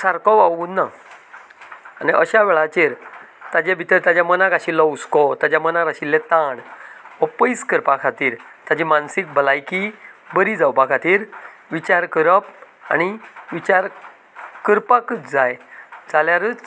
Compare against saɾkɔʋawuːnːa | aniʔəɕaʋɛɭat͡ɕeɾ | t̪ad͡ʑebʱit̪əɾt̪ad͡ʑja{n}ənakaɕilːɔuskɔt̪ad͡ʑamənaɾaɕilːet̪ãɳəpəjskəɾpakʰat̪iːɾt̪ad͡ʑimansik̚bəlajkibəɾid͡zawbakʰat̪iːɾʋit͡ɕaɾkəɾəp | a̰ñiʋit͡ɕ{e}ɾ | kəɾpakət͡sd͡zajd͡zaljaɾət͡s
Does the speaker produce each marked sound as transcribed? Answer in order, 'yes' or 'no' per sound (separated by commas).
no, no